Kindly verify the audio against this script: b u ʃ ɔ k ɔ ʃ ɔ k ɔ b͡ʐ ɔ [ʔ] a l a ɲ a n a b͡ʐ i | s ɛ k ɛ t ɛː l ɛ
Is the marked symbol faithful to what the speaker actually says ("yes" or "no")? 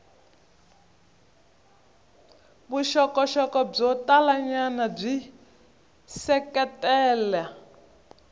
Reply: no